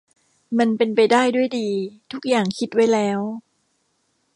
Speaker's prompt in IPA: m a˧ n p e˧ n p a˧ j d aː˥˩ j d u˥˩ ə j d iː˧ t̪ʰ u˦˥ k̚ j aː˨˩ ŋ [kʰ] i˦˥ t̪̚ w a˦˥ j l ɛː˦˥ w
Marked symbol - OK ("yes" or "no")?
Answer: yes